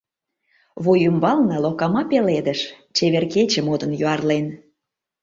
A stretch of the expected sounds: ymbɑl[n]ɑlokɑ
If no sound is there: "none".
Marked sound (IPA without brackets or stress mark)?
n